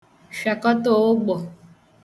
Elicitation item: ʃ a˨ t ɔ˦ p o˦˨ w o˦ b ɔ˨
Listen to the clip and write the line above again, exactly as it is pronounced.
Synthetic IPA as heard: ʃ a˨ k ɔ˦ t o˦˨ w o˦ ɡ͡b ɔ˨